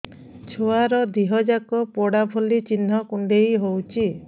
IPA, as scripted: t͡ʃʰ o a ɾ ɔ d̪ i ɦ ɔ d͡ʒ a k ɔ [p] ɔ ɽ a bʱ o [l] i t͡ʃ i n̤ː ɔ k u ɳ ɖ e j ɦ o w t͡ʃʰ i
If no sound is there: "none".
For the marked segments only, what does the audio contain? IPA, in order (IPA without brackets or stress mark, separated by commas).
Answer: p, l